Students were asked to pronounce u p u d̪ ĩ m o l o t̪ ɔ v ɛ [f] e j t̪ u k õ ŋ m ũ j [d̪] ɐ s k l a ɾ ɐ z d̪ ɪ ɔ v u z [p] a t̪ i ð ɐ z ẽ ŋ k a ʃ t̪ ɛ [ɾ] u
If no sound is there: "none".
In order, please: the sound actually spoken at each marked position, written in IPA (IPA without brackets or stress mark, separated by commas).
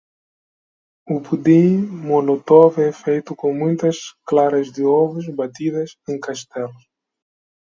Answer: f, t̪, b, l